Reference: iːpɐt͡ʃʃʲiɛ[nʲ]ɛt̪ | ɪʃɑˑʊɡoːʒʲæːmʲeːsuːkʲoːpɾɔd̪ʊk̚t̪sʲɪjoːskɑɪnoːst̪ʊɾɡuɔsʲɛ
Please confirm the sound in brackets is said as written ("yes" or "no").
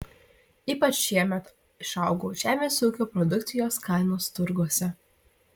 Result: no